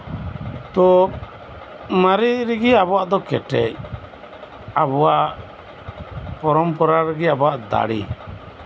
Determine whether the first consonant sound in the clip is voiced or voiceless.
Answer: voiceless